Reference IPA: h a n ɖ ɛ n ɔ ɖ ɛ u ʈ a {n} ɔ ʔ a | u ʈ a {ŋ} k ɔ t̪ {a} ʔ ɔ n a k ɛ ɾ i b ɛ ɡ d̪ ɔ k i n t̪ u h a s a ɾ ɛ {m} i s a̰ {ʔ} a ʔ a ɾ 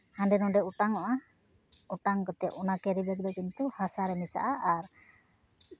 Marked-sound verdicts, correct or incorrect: incorrect, correct, incorrect, correct, correct

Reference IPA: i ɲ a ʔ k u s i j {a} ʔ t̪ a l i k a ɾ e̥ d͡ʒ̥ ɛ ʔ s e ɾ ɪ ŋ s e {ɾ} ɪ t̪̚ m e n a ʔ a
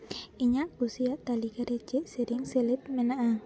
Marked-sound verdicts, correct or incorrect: correct, incorrect

